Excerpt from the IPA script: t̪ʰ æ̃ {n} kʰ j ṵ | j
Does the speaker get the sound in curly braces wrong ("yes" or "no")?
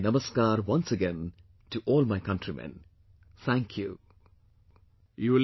yes